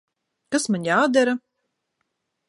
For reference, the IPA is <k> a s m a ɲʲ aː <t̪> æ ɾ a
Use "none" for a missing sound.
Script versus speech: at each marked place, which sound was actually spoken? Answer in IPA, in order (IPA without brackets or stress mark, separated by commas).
k, d̪